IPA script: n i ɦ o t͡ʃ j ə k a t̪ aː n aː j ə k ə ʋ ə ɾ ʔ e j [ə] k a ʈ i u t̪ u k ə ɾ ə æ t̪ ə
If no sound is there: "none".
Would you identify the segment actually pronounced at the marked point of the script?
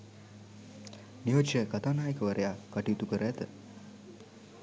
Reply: a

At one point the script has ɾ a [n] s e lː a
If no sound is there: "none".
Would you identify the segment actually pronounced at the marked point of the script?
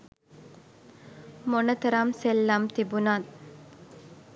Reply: m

